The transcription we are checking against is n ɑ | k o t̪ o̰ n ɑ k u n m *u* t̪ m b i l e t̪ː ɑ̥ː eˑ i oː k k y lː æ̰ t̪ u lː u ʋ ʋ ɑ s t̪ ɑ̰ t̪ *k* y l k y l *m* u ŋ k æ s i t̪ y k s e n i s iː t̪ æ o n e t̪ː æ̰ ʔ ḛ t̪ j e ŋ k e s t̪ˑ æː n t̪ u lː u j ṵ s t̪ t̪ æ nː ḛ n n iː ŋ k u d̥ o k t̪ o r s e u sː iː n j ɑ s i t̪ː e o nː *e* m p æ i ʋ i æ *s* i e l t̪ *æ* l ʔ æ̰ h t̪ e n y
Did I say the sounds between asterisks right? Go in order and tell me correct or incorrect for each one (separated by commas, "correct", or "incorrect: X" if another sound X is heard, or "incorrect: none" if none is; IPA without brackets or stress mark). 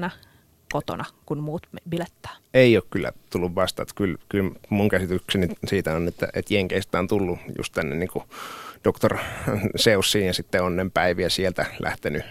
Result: incorrect: uː, correct, correct, correct, correct, correct